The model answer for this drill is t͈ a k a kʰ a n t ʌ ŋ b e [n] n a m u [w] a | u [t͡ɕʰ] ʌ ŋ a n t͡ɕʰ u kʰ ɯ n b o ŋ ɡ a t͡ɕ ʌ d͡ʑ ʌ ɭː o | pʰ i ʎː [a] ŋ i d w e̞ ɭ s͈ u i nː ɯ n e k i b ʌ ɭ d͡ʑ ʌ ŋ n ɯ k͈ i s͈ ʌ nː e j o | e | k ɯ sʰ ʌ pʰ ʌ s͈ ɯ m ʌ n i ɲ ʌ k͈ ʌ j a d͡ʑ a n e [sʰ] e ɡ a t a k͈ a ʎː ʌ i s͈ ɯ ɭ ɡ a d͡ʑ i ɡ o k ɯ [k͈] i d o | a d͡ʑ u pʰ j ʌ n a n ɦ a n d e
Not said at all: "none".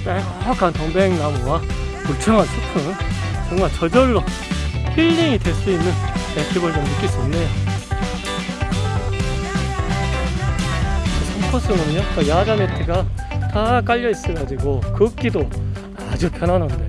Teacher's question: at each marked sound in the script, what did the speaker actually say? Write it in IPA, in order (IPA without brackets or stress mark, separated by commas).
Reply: ŋ, w, t͡ɕʰ, i, tʰ, k͈